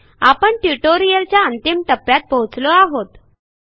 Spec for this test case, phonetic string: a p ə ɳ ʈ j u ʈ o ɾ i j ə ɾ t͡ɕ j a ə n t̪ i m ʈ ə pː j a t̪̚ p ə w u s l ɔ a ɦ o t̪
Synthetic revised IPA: a p ə ɳ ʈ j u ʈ o ɾ i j ə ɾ t͡ɕ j a ə n t̪ i m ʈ ə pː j a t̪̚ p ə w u t͡s l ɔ a ɦ o t̪